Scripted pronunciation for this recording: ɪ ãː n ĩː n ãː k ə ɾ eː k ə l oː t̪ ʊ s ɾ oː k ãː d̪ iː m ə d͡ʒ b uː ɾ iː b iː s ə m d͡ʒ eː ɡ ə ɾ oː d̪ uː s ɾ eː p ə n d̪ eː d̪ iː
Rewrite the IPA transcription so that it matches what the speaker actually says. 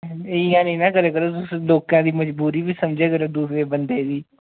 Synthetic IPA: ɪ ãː n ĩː n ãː k ə ɾ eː k ə ɾ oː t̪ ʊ s l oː k ãː d̪ iː m ə d͡ʒ b uː ɾ iː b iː s ə m d͡ʒ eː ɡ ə ɾ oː d̪ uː s ɾ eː b ə n d̪ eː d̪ iː